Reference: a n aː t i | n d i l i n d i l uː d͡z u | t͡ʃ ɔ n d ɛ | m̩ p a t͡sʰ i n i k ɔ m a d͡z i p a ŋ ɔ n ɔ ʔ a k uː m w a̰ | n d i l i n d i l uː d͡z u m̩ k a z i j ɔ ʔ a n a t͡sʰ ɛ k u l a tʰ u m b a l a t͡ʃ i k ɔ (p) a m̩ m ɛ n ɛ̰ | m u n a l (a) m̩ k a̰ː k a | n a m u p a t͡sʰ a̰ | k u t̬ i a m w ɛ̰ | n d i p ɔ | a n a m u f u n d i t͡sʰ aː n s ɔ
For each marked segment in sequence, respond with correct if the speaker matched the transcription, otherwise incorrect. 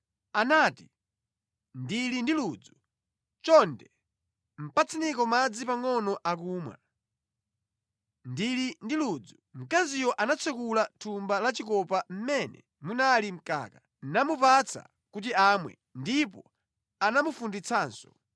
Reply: correct, incorrect: i

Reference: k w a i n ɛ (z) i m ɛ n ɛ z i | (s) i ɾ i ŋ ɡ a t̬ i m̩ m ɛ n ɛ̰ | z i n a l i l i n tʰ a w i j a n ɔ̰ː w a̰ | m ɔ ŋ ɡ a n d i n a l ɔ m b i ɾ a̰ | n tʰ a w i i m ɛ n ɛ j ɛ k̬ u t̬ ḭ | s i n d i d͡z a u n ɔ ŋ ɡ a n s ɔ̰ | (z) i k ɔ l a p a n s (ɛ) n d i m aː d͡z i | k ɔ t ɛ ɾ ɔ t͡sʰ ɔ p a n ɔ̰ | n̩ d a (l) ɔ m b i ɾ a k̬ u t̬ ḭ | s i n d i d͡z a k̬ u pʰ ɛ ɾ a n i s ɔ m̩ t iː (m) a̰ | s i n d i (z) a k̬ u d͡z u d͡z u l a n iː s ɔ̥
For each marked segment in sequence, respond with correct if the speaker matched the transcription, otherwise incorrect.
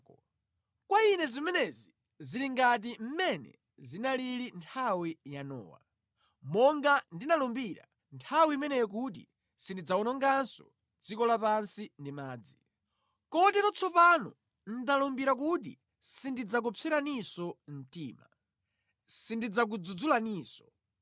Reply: correct, incorrect: z, incorrect: d͡z, incorrect: i, correct, correct, incorrect: d͡z

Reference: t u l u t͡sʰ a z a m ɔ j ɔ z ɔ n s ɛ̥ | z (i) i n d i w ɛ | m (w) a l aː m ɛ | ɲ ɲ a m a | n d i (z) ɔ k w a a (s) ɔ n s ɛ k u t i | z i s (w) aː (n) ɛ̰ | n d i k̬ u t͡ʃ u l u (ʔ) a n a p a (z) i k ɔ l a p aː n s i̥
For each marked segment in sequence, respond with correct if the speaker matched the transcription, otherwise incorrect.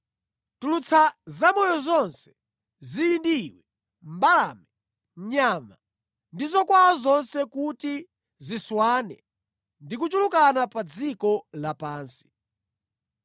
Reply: correct, incorrect: b, correct, incorrect: z, correct, correct, incorrect: k, incorrect: d͡z

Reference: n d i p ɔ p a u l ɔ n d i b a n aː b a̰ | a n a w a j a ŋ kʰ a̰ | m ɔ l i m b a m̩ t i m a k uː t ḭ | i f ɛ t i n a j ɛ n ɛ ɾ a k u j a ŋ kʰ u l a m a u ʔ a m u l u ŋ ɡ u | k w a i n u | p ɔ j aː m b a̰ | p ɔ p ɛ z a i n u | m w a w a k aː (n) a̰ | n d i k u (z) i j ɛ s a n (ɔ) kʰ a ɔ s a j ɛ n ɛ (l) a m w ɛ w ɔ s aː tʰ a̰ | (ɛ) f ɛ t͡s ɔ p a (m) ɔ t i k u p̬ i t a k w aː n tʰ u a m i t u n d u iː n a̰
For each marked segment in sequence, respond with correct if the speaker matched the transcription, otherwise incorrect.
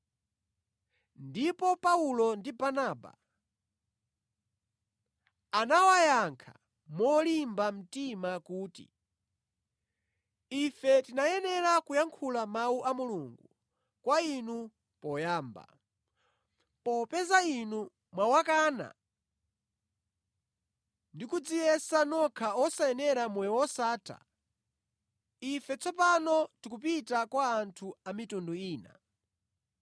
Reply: correct, incorrect: d͡z, correct, incorrect: ɾ, incorrect: i, incorrect: n

